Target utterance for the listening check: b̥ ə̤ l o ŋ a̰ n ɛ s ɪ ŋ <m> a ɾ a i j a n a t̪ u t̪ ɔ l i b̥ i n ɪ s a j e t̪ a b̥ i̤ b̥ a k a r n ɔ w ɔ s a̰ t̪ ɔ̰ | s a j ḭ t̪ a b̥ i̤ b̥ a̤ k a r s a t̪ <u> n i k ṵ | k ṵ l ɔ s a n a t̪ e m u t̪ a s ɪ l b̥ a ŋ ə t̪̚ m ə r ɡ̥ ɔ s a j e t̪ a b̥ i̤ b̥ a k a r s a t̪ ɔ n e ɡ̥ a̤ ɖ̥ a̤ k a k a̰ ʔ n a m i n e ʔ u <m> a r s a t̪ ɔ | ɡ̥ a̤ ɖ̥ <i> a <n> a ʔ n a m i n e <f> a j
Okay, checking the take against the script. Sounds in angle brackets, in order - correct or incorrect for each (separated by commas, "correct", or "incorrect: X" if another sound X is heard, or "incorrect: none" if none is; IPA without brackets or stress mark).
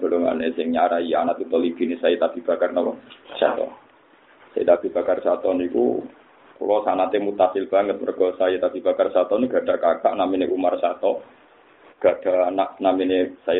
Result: incorrect: ɲ, incorrect: ɔ, correct, incorrect: a, correct, incorrect: s